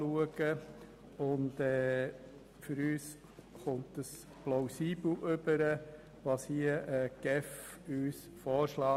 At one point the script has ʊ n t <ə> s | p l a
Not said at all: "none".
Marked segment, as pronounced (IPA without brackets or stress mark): ə